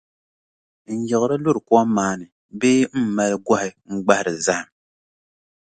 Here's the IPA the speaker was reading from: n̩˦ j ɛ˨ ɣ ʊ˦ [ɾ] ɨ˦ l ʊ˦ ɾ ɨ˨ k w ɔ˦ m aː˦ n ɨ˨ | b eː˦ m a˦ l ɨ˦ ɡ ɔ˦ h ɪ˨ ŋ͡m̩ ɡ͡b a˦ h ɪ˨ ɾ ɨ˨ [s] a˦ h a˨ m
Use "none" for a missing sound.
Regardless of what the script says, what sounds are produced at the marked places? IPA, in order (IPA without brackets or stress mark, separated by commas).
ɾ, z